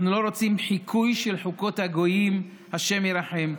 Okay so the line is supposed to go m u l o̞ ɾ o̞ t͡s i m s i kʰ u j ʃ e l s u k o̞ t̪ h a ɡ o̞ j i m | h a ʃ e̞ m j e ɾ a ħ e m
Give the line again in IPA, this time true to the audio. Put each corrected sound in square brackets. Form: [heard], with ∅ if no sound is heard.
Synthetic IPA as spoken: [n] u l o̞ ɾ o̞ t͡s i m [ħ] i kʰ u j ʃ e l [ħ] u k o̞ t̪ h a ɡ o̞ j i m | h a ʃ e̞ m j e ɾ a ħ e m

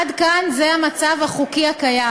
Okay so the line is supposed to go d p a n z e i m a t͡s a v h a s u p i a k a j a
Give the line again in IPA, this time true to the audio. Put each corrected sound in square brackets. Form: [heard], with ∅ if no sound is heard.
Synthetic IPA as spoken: d [k] a n z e [a] m a t͡s a v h a [χ] u [k] i a k a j a

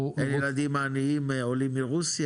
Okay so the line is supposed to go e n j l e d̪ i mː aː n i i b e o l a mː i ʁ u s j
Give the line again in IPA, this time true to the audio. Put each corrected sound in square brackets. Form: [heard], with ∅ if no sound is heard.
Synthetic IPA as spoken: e n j l [a] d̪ i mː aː n i i [m] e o l [i] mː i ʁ u s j

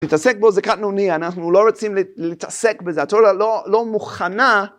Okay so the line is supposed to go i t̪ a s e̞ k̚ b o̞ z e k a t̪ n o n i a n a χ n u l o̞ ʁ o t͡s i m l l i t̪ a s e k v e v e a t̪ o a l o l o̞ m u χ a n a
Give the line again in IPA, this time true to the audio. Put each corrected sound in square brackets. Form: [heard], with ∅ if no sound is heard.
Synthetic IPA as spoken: i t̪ a s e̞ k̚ b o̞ z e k a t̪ n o n i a n a χ n u l o̞ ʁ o t͡s i m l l i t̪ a s e k [b] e [z] e a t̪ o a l o l o̞ m u χ a n a

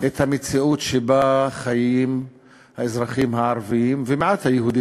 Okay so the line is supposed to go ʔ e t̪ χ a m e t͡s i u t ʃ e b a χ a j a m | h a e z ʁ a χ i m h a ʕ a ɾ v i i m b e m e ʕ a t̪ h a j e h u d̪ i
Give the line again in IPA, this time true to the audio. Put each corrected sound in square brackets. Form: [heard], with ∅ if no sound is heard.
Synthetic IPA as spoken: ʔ e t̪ [h] a m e t͡s i u t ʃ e b a χ a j [i] m | h a e z ʁ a χ i m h a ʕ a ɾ v i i m [v] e m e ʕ a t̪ h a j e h u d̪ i

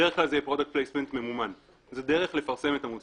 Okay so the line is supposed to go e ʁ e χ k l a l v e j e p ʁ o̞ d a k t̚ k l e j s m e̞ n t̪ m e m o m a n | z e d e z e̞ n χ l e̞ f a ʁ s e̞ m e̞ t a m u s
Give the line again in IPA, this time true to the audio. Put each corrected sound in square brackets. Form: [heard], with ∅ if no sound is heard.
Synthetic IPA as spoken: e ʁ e χ k l a l [z] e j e p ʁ o̞ d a k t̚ [p] l e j s m e̞ n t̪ m e m [u] m a n | z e d e [ʁ] e̞ [∅] χ l e̞ f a ʁ s e̞ m e̞ t a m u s

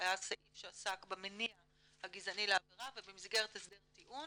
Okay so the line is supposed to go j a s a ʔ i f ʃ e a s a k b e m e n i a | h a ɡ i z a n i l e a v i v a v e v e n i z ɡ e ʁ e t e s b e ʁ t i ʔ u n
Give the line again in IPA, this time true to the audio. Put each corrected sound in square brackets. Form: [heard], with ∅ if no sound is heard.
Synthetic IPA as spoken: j a s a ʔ i f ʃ e a s a k b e m e n i a | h a ɡ i z a n i l e a v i [ʁ] a v e [b] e [m] i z ɡ e ʁ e t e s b e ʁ t i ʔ u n

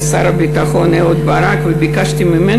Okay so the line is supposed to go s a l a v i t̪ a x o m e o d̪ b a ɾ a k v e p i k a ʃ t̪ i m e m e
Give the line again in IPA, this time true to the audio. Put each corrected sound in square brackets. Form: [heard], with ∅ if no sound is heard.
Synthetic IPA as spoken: s a [ɾ] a [b] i t̪ a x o [n] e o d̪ b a ɾ a k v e [b] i k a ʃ t̪ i m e m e

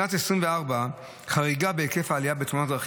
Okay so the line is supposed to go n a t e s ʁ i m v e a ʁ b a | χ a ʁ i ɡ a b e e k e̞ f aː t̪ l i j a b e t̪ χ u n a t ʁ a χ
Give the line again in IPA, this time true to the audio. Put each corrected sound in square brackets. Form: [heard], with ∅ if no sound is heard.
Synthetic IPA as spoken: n a t e s ʁ i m v e a ʁ b a | χ a ʁ i ɡ a b e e k e̞ f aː [∅] l i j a b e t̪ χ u n a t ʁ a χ

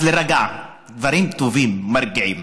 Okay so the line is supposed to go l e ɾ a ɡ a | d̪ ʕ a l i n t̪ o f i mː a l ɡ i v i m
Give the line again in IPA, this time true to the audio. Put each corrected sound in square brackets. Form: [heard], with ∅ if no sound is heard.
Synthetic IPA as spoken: l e ɾ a ɡ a | d̪ [v] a [ɾ] i [m] t̪ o [v] i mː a [ɾ] ɡ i [ʕ] i m

